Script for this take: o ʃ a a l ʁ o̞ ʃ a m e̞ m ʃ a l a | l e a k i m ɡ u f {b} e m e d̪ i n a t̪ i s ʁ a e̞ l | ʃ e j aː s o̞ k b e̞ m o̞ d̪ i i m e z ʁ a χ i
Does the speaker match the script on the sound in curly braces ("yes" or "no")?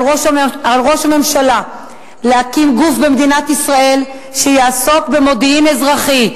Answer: yes